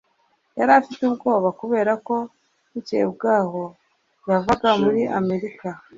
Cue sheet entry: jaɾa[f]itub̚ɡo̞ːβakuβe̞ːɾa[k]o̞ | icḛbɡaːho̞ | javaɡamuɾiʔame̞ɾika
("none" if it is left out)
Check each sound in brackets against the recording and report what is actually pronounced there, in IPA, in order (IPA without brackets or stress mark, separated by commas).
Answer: f, k